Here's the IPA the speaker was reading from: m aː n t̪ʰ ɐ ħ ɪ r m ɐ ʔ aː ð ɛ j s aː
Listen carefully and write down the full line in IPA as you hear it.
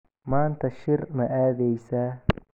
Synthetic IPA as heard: m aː n t̪ʰ ɐ ʃ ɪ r m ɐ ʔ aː ð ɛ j s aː